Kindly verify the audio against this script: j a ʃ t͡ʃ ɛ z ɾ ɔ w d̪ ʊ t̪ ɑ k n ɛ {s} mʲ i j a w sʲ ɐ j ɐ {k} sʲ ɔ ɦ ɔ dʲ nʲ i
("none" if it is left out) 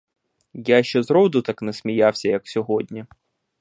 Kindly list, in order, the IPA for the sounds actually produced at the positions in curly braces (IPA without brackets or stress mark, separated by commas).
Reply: s, k